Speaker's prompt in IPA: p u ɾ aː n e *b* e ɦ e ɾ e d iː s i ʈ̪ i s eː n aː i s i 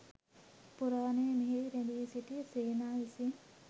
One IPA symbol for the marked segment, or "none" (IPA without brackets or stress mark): m